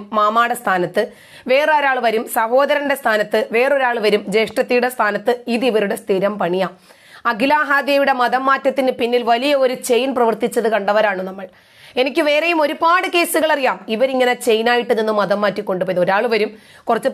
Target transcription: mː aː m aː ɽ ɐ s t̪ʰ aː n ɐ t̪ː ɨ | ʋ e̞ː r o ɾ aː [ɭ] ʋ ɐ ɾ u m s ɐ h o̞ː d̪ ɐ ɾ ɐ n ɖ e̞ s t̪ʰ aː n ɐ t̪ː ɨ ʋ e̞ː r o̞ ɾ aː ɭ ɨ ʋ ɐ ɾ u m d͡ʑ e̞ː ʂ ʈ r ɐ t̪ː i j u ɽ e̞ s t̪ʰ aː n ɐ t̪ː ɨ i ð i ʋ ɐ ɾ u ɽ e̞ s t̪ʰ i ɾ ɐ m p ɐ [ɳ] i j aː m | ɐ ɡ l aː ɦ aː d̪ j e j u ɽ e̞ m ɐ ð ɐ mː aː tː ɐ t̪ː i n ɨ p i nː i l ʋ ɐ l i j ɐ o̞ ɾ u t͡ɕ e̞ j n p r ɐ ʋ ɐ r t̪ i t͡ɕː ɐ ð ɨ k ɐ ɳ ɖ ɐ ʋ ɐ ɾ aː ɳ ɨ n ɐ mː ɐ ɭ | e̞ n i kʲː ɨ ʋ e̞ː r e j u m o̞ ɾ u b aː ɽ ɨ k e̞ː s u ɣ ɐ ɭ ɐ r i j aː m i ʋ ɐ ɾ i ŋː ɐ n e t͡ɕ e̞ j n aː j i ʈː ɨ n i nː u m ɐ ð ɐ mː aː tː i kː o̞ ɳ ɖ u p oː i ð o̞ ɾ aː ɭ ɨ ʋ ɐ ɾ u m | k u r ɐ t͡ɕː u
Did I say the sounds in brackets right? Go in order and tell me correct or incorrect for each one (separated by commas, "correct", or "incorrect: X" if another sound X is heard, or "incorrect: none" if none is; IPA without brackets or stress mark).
correct, correct